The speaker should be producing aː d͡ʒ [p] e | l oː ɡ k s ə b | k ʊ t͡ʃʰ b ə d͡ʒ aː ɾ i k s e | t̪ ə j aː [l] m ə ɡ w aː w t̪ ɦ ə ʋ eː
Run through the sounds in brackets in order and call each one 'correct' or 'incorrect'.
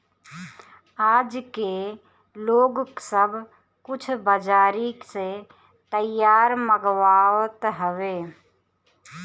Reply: incorrect, incorrect

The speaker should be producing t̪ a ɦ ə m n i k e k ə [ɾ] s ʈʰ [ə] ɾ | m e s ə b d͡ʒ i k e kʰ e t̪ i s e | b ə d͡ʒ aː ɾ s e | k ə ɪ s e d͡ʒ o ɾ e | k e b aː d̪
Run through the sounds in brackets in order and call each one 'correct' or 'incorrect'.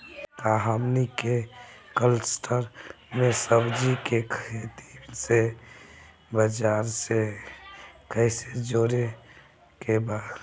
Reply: incorrect, correct

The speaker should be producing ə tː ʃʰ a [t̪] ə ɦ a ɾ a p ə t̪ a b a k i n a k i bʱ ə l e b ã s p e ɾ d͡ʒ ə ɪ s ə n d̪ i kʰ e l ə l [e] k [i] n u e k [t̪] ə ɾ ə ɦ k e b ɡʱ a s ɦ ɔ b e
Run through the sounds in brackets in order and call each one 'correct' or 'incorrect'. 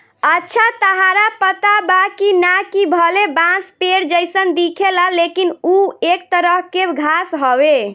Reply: correct, correct, correct, correct

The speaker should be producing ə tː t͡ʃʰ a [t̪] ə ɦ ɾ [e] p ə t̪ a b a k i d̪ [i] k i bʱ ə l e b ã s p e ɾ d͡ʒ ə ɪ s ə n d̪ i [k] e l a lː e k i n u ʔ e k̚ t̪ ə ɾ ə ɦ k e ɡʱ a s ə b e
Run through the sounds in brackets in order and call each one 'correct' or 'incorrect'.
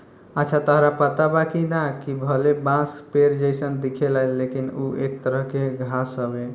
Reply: correct, incorrect, incorrect, incorrect

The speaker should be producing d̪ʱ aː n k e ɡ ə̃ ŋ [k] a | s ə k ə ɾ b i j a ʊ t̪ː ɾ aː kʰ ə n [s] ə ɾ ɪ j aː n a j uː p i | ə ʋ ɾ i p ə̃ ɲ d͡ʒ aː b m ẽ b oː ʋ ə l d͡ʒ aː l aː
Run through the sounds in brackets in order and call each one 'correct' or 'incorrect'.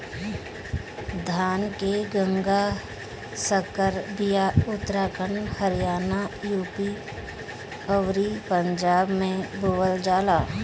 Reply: incorrect, incorrect

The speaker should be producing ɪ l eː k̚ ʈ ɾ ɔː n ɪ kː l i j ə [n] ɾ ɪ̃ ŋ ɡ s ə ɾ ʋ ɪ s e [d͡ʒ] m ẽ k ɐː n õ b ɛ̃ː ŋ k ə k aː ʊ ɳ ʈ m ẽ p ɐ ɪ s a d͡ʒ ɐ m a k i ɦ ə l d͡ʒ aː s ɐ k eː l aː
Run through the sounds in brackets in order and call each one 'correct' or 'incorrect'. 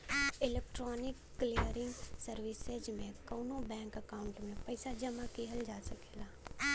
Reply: incorrect, correct

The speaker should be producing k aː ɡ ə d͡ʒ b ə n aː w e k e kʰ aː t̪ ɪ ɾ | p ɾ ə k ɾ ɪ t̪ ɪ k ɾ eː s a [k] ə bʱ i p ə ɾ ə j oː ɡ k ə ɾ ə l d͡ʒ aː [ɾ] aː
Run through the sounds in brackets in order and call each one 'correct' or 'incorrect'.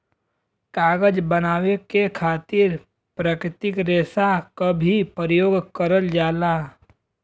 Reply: correct, incorrect

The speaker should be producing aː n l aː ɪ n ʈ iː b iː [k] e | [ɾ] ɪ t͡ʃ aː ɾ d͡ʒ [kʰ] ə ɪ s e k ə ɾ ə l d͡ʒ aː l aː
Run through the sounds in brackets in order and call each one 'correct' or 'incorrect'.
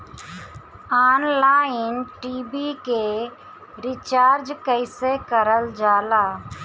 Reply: correct, correct, incorrect

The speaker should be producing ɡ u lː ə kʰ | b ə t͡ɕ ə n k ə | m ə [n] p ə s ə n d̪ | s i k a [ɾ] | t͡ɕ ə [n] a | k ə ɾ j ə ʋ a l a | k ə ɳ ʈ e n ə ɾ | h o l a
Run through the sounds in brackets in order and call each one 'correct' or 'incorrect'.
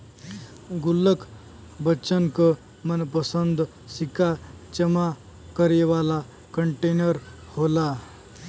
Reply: correct, incorrect, incorrect

